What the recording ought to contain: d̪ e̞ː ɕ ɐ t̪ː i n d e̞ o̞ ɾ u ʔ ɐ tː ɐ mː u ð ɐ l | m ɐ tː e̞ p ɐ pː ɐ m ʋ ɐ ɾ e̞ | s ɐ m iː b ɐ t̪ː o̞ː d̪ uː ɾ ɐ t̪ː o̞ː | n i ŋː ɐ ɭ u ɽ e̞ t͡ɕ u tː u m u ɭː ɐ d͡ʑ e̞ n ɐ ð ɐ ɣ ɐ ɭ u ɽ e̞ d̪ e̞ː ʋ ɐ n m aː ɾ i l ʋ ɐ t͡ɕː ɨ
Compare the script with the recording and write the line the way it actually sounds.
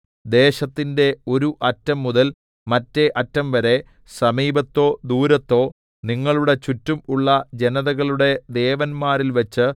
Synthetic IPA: d̪ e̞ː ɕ ɐ t̪ː i n d e̞ o̞ ɾ u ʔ ɐ tː ɐ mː u ð ɐ l | m ɐ tː e̞ ʔ ɐ tː ɐ m ʋ ɐ ɾ e̞ | s ɐ m iː b ɐ t̪ː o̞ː d̪ uː ɾ ɐ t̪ː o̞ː | n i ŋː ɐ ɭ u ɽ e̞ t͡ɕ u tː u m u ɭː ɐ d͡ʑ e̞ n ɐ ð ɐ ɣ ɐ ɭ u ɽ e̞ d̪ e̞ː ʋ ɐ n m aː ɾ i l ʋ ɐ t͡ɕː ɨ